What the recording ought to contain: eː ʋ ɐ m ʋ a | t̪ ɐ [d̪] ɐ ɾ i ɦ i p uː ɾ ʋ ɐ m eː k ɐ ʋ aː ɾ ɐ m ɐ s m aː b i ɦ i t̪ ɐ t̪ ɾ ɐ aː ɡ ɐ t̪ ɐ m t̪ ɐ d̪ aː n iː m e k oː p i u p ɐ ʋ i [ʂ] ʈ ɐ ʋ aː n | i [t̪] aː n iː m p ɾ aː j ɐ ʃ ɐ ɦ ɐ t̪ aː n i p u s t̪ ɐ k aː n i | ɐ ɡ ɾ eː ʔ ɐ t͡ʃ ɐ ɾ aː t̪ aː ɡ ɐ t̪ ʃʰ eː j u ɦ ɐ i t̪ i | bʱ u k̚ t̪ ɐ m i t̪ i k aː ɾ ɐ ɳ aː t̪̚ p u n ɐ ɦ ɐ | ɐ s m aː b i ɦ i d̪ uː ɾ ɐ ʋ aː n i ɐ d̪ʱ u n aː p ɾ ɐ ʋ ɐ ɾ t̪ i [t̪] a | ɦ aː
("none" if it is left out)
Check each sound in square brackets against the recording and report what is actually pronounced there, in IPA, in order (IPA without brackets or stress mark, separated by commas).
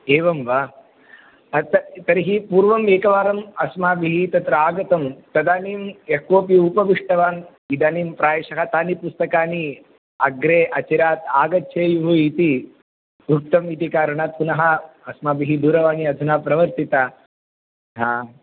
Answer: t̪, ʂ, d̪, t̪